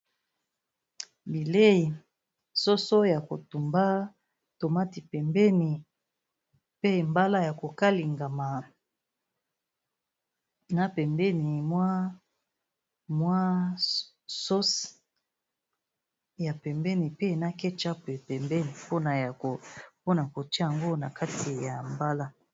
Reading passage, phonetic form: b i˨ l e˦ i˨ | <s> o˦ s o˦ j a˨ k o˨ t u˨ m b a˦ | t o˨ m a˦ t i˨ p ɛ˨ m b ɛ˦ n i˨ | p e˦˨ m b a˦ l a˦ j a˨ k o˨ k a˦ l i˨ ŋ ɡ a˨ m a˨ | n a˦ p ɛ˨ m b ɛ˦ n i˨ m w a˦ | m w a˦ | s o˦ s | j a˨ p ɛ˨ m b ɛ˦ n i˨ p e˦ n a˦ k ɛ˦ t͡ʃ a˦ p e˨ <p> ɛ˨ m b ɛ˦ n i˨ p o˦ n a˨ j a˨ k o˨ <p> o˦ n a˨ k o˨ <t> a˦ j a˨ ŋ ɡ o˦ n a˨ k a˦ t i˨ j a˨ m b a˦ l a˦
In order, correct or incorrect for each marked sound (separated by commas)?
correct, correct, correct, correct